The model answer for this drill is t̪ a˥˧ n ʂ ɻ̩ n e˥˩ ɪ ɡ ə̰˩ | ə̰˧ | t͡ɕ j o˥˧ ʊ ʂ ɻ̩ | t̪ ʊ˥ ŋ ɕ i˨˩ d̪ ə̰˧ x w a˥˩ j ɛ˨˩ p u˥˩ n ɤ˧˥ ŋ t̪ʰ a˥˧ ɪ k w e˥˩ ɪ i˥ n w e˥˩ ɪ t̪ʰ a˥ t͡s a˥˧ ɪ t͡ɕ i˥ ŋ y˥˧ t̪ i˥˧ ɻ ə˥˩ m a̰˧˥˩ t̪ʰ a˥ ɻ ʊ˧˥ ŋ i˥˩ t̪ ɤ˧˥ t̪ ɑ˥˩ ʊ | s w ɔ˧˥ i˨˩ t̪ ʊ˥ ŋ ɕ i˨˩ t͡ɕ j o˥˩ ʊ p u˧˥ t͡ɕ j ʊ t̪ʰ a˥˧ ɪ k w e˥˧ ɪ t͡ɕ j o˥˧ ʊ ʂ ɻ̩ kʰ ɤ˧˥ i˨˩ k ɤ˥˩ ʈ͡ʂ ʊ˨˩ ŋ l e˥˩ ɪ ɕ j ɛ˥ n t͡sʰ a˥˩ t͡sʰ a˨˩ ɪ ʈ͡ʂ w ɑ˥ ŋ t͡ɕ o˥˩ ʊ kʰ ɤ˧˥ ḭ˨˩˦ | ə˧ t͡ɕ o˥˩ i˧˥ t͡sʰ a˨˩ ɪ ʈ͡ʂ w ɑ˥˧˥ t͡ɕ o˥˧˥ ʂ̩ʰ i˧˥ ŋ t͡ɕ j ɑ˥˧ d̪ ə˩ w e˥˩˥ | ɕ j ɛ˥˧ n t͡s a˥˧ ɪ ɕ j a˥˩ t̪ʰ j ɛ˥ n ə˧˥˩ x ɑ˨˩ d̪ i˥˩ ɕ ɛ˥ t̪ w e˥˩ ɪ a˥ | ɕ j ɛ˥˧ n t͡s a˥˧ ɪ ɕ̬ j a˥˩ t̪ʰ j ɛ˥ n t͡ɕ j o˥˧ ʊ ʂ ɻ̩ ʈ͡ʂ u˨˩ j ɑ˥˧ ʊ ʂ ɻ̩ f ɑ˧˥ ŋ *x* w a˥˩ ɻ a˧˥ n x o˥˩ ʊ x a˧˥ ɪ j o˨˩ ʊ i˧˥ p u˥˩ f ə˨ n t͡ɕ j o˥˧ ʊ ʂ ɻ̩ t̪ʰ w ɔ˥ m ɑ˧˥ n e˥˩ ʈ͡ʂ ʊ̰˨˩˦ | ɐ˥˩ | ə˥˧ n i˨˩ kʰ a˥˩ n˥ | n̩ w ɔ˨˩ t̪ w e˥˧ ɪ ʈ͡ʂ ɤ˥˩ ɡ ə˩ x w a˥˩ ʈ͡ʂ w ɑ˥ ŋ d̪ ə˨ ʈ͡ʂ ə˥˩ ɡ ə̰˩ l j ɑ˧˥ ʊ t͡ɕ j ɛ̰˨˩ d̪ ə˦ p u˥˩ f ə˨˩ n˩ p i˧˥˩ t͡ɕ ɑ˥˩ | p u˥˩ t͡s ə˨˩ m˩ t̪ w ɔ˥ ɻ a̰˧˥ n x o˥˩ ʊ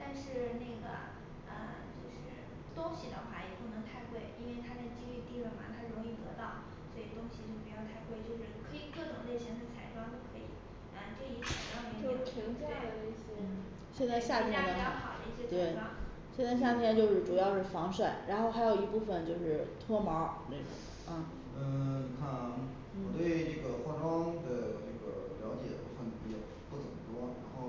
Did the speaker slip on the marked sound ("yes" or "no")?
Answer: yes